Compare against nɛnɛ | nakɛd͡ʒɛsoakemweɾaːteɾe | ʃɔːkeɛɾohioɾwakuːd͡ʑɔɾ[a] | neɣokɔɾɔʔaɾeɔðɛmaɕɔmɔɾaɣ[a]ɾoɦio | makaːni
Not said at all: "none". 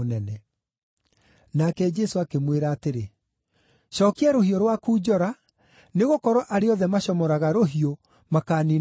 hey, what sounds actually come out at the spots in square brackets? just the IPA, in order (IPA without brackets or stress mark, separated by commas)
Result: a, a